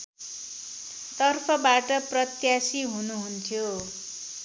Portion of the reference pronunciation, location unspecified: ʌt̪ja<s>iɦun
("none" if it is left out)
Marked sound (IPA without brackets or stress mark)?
s